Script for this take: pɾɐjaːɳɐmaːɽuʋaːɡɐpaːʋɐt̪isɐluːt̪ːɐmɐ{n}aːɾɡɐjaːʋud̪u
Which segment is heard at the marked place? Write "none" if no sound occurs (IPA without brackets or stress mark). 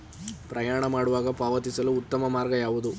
m